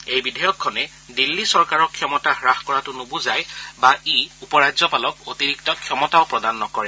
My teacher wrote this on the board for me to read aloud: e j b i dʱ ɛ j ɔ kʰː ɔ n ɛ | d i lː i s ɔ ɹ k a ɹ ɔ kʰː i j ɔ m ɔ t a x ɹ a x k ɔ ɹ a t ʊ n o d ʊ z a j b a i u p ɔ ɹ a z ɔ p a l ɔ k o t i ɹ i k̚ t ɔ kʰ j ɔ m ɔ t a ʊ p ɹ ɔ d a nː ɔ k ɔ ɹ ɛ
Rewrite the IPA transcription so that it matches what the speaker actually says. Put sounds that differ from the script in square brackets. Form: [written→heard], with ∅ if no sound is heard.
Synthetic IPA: e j b i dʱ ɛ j ɔ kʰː ɔ n ɛ | d i lː i s ɔ ɹ k a ɹ ɔ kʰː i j ɔ m ɔ t a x ɹ a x k ɔ ɹ a t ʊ n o [d→b] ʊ z a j b a i u p ɔ ɹ a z ɔ p a l ɔ k o t i ɹ i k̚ t ɔ kʰ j ɔ m ɔ t a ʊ p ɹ ɔ d a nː ɔ k ɔ ɹ ɛ